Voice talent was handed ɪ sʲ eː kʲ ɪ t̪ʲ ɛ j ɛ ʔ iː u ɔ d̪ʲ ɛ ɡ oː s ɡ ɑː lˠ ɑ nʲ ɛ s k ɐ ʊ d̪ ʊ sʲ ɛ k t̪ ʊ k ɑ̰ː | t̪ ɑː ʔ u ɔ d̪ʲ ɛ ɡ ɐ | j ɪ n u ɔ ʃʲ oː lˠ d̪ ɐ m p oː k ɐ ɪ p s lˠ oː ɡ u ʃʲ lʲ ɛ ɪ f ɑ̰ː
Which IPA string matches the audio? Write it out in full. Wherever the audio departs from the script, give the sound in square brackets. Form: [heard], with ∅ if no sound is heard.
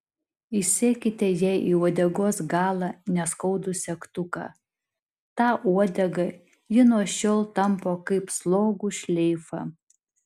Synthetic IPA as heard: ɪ sʲ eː kʲ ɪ t̪ʲ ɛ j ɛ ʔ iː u ɔ d̪ʲ ɛ ɡ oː s ɡ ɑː lˠ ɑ nʲ ɛ s k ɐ ʊ d̪ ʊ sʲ ɛ k t̪ ʊ k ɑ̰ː | t̪ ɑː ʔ u ɔ d̪ʲ ɛ ɡ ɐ | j ɪ n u ɔ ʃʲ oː lˠ [t̪] ɐ m p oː k ɐ ɪ p s lˠ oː ɡ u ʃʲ lʲ ɛ ɪ f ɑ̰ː